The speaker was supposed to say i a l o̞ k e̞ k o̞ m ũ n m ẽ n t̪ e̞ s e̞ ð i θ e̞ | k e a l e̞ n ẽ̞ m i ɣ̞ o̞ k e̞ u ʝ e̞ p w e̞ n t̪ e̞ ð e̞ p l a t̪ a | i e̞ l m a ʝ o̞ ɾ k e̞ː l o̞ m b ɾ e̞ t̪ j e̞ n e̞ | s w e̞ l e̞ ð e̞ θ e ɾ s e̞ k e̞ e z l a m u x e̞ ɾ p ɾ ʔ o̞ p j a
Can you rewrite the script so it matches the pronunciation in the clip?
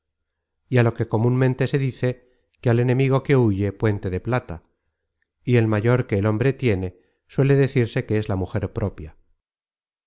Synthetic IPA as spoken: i a l o̞ k e̞ k o̞ m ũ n m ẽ n t̪ e̞ s e̞ ð i θ e̞ | k e a l e̞ n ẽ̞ m i ɣ̞ o̞ k e̞ u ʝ e̞ p w e̞ n t̪ e̞ ð e̞ p l a t̪ a | i e̞ l m a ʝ o̞ ɾ k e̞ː l o̞ m b ɾ e̞ t̪ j e̞ n e̞ | s w e̞ l e̞ ð e̞ θ i ɾ s e̞ k e̞ e z l a m u x e̞ ɾ p ɾ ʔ o̞ p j a